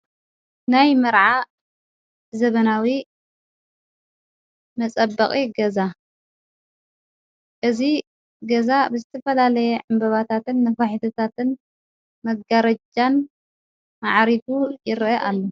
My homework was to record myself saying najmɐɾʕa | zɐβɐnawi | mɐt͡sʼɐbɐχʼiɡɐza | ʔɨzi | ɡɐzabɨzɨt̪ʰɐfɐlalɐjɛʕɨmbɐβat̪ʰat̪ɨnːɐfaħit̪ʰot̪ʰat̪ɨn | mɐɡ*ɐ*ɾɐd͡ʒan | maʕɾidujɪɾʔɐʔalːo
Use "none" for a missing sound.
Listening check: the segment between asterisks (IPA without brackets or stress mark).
a